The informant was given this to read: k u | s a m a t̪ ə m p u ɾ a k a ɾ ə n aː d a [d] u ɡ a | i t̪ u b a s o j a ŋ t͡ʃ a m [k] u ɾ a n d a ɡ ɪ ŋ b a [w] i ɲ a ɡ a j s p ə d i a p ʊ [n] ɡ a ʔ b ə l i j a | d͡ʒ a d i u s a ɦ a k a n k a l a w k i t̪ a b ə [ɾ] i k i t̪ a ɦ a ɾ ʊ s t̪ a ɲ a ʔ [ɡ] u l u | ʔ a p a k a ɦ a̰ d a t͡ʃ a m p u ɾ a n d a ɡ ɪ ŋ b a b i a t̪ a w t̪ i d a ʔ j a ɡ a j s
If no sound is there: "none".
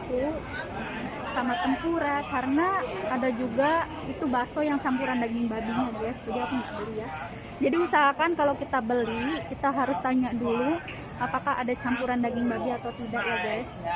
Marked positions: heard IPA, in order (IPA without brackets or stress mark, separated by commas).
d͡ʒ, p, b, ŋ, l, d